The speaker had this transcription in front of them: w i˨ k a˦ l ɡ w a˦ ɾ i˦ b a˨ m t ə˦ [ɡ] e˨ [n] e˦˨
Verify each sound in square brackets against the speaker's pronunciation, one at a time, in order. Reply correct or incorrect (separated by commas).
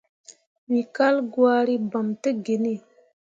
correct, correct